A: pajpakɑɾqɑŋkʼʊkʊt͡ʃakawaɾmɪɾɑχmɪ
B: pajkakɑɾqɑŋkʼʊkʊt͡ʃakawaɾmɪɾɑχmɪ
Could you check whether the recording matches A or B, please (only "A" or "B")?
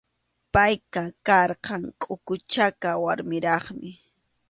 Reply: B